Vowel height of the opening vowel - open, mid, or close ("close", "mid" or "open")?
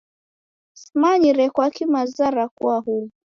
open